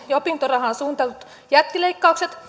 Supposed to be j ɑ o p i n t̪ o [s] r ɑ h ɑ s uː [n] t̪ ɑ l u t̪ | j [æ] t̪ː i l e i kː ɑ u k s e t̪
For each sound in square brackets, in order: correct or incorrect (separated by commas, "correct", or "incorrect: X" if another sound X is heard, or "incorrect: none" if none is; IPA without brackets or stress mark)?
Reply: incorrect: none, correct, correct